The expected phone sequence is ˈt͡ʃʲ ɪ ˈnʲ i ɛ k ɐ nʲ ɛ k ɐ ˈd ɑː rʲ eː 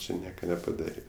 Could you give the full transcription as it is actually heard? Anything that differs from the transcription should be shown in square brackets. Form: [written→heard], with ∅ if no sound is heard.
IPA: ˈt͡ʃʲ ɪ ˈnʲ i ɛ k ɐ nʲ ɛ [k→p] ɐ ˈd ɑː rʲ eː